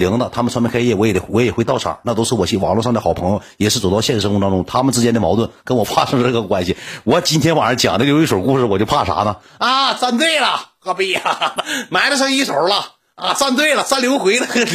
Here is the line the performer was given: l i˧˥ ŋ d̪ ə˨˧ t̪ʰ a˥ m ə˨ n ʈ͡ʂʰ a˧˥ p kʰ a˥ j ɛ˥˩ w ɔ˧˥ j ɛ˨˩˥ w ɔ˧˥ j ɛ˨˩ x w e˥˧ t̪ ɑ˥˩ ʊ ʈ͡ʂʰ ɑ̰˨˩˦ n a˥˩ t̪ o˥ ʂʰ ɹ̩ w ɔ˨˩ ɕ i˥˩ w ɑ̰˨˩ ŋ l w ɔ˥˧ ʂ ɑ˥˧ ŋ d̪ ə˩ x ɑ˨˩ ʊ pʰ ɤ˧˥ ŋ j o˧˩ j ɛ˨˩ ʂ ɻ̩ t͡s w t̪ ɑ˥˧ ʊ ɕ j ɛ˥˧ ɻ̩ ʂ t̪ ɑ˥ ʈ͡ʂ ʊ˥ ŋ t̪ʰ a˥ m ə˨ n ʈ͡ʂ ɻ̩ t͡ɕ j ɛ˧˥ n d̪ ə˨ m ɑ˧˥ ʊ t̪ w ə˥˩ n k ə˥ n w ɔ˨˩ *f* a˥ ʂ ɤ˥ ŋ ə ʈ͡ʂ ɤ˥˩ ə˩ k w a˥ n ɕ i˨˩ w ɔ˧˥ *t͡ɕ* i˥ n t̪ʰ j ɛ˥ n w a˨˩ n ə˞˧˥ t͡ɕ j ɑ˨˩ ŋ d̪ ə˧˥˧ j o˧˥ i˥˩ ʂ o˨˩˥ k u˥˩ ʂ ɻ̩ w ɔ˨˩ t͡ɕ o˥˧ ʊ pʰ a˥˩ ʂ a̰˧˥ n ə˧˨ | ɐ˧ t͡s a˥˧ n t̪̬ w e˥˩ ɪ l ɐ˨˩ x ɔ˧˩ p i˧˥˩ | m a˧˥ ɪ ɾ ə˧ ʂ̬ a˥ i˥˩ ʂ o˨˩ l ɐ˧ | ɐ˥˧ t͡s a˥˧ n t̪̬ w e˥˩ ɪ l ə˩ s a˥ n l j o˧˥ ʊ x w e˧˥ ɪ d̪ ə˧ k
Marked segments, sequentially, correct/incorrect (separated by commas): correct, correct